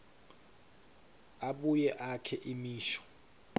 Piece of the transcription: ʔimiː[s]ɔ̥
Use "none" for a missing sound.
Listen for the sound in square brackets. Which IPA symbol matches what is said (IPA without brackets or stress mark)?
ʃ